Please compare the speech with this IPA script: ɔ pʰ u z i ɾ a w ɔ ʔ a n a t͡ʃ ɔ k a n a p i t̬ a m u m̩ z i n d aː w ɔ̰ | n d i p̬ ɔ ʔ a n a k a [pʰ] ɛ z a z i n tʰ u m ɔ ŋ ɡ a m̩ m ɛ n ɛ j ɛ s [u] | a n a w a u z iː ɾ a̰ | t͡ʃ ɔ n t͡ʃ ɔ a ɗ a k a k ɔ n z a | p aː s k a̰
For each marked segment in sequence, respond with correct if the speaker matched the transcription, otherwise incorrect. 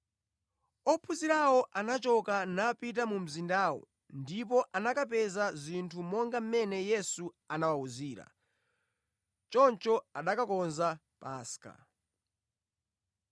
incorrect, correct

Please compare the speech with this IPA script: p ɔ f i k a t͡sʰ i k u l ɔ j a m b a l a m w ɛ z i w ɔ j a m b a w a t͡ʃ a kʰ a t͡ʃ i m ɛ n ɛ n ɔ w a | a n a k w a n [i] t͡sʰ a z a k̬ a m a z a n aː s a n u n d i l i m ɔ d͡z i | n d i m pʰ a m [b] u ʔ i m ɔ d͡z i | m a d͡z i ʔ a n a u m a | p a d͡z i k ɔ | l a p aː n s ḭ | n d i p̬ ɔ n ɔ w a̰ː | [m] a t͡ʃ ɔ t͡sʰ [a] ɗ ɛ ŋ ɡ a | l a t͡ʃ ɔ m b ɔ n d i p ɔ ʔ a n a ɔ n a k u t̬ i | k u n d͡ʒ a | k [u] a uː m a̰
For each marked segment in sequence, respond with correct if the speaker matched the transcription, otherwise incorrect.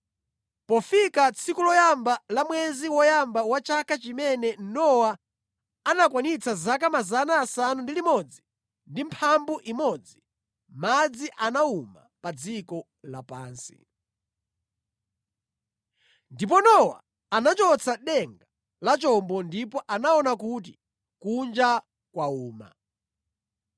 correct, correct, incorrect, correct, incorrect

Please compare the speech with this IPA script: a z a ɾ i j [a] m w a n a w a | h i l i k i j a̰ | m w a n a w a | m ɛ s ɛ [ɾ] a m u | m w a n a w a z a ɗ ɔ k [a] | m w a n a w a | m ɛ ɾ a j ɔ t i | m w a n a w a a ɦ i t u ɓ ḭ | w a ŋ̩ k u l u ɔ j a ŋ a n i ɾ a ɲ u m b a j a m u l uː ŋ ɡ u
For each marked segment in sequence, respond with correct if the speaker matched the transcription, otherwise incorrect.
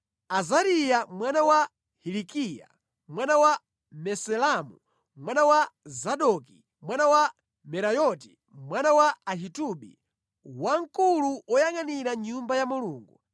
correct, incorrect, incorrect

